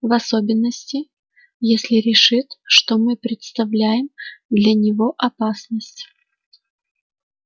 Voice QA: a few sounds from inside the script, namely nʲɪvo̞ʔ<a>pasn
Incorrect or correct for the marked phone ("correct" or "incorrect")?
incorrect